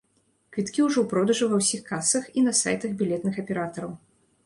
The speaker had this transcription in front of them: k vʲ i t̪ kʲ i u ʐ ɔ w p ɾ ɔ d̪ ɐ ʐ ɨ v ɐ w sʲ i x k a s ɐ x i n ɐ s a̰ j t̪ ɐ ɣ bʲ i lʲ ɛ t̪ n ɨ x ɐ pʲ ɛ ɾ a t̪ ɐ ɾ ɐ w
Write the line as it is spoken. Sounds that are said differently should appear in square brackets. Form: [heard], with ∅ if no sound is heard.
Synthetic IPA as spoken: k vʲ i t̪ kʲ i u ʐ ɔ w p ɾ ɔ d̪ ɐ ʐ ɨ v ɐ w sʲ i x k a s ɐ x i n ɐ s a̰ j t̪ ɐ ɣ bʲ i lʲ ɛ t̪ n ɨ x ɐ pʲ ɛ ɾ a t̪ ɐ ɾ ɐ w

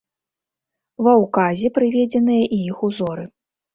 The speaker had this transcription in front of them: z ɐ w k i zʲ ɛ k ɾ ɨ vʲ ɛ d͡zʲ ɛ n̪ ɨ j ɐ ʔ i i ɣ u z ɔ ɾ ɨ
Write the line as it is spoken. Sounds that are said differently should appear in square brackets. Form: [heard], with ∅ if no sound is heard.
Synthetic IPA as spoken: [v] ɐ w k [a] zʲ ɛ [p] ɾ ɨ vʲ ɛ d͡zʲ ɛ n̪ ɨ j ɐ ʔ i i [x] u z ɔ ɾ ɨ

